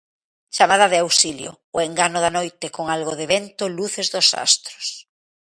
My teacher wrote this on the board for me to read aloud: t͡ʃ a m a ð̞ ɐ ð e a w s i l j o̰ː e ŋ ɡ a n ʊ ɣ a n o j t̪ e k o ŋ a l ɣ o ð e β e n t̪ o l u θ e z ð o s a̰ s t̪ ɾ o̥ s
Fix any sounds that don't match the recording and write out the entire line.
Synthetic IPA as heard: t͡ʃ a m a ð̞ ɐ ð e a w s i l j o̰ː e ŋ ɡ a n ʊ ð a n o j t̪ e k o ŋ a l ɣ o ð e β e n t̪ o l u θ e z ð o s a̰ s t̪ ɾ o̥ s